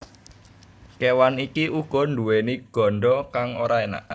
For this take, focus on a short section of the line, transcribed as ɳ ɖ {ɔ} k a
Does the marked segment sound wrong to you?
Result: no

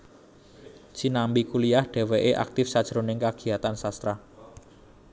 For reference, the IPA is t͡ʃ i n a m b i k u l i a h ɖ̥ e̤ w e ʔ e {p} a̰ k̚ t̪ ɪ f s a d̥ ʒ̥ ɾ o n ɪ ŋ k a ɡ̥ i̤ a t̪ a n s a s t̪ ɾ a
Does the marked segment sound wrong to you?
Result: yes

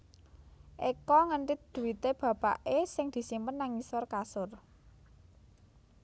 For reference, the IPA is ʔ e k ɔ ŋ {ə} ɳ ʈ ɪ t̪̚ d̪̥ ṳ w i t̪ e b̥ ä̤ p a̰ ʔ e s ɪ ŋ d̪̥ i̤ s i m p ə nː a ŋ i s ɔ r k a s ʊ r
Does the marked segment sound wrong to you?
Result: no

